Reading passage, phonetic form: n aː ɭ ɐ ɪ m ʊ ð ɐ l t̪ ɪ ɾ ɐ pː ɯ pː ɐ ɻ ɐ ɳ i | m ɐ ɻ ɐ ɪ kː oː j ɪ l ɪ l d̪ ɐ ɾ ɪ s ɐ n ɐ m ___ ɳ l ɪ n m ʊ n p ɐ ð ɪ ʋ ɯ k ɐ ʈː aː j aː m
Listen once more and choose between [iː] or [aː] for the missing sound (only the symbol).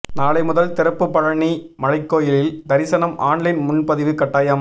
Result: aː